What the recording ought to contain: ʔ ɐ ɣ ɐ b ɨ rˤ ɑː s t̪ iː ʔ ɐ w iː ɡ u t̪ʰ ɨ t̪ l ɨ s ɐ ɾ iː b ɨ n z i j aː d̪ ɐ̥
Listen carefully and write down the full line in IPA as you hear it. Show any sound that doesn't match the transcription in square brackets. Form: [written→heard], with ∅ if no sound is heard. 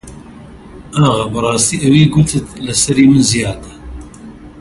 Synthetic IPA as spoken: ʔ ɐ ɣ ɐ b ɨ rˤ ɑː s t̪ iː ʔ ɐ w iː ɡ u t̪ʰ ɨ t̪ l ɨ s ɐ ɾ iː [b→m] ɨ n z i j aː d̪ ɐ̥